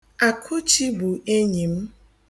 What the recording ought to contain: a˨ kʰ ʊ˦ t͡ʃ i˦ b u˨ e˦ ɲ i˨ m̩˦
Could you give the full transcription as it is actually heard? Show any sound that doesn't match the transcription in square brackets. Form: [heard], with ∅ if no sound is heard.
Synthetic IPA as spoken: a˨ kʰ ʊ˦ t͡ʃ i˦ b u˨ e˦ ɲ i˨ m̩˦